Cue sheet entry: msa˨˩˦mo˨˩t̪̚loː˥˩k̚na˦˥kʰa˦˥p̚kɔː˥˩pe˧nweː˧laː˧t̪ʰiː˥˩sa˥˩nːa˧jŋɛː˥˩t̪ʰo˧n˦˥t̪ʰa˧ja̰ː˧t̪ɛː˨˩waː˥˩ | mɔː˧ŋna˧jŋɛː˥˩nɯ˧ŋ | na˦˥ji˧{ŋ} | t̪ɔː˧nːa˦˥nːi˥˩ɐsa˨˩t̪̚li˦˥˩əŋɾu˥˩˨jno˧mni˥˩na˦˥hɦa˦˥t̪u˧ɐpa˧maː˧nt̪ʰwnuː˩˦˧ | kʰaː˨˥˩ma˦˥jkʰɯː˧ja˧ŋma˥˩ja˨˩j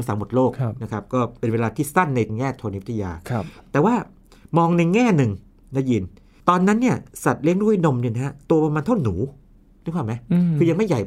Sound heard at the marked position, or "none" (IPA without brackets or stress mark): n